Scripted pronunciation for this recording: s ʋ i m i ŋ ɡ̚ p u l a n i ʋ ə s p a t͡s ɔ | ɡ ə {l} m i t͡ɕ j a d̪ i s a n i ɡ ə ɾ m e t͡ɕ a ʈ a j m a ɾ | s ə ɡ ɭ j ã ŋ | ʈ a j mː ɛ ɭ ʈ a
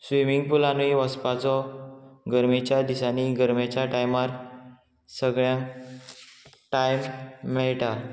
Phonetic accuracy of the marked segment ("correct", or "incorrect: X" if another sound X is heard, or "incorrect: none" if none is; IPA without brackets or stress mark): incorrect: ɾ